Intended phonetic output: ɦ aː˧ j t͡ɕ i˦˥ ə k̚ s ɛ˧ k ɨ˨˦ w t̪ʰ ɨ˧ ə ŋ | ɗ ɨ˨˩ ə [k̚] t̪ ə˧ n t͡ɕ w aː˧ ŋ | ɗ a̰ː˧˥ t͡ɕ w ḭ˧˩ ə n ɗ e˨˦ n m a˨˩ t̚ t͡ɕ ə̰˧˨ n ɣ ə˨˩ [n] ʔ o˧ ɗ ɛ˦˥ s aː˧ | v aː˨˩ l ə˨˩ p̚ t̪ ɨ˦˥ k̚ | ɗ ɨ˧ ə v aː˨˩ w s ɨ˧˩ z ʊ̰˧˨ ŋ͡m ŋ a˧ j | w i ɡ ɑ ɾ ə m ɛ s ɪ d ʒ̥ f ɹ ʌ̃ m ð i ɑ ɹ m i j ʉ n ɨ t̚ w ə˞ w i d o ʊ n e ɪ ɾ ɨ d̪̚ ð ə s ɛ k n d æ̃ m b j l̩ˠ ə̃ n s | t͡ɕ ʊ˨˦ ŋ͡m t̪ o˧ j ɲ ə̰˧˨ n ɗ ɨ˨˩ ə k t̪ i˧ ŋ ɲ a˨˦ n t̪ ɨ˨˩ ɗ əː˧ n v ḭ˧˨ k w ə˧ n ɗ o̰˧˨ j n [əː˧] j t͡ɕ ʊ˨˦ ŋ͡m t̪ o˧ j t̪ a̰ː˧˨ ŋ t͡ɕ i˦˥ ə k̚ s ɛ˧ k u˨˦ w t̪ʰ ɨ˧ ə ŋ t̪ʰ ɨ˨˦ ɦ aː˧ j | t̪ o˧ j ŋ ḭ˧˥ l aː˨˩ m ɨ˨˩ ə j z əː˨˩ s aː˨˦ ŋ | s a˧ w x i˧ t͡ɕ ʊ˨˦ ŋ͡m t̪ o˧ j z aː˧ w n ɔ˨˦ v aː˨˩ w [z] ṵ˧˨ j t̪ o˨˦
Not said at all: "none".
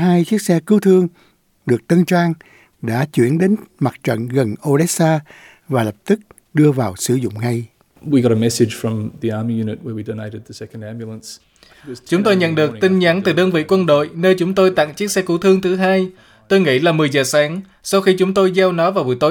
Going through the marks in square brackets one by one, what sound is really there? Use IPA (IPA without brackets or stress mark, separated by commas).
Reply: k̚, n, əː˧, v